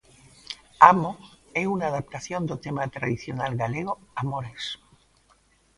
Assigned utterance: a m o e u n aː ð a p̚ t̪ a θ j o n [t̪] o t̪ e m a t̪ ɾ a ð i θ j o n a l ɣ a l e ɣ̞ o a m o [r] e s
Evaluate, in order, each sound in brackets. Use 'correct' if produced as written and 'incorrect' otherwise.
incorrect, incorrect

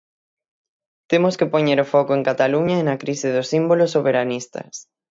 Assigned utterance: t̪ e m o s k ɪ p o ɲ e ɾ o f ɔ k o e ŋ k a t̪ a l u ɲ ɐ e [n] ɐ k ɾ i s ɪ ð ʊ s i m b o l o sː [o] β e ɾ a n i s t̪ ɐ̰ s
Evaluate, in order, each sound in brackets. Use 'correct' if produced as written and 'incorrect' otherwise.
correct, correct

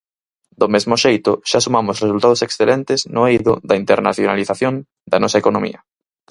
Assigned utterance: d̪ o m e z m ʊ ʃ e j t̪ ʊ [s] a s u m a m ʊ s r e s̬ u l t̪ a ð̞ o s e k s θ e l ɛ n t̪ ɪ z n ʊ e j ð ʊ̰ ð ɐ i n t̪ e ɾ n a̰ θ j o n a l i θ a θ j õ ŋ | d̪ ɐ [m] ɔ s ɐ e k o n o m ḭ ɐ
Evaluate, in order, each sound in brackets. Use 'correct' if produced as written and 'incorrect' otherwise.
incorrect, incorrect

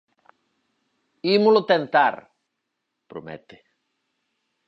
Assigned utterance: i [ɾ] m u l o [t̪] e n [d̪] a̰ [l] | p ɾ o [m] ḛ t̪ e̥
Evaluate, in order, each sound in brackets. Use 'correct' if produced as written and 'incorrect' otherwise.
incorrect, correct, incorrect, incorrect, correct

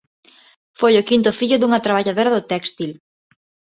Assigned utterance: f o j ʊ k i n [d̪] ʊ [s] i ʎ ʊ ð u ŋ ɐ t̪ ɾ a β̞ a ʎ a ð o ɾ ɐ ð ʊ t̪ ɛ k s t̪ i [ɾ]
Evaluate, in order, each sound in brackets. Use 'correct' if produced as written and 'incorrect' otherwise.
incorrect, incorrect, incorrect

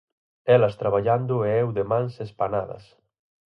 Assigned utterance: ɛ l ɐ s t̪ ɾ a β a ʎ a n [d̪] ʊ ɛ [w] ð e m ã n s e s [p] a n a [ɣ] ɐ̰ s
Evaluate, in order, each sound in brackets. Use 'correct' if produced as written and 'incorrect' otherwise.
correct, correct, correct, incorrect

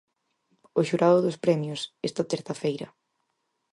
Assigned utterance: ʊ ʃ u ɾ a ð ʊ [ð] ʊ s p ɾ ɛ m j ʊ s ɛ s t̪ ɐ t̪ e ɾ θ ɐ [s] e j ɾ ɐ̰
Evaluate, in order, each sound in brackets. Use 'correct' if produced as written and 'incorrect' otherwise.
correct, incorrect

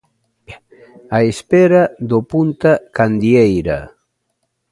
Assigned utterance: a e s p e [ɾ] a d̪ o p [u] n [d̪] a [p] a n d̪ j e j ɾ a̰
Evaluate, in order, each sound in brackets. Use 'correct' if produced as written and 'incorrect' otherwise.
correct, correct, incorrect, incorrect

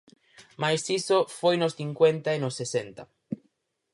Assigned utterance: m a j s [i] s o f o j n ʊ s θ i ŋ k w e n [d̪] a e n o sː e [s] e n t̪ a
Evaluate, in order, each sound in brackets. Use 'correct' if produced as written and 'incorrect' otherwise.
correct, incorrect, correct

